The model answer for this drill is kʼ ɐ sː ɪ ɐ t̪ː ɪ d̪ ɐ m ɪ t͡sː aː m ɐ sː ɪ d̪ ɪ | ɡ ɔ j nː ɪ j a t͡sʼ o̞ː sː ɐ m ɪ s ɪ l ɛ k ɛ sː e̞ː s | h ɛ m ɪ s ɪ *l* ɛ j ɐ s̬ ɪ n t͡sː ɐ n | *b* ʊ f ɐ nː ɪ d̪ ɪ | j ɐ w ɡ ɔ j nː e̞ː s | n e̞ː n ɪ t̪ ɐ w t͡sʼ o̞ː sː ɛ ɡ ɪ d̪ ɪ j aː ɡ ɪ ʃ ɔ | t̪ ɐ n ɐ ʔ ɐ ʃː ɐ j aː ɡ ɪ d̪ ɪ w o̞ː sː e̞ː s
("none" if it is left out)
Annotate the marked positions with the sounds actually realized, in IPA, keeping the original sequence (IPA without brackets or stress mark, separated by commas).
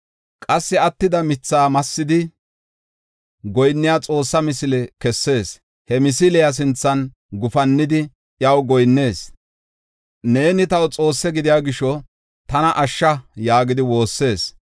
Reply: l, ɡ